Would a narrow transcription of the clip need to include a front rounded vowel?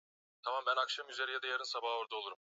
yes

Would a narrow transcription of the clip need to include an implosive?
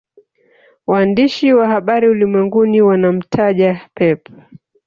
yes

